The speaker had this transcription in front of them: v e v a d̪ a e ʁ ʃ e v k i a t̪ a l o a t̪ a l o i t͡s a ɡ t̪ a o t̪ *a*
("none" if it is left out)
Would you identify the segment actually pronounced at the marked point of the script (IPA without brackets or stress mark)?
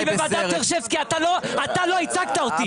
i